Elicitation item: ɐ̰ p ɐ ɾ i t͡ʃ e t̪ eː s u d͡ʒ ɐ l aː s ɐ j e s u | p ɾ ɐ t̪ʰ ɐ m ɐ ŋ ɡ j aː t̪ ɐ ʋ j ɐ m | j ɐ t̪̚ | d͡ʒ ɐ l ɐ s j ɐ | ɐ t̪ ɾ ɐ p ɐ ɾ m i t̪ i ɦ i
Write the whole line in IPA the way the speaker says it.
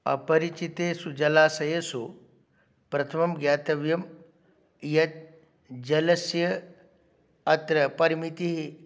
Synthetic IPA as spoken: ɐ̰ p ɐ ɾ i t͡ʃ i t̪ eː s u d͡ʒ ɐ l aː s ɐ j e s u | p ɾ ɐ t̪ʰ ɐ m ɐ m ɡ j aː t̪ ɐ ʋ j ɐ m | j ɐ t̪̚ | d͡ʒ ɐ l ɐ s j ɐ | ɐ t̪ ɾ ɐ p ɐ ɾ m i t̪ i ɦ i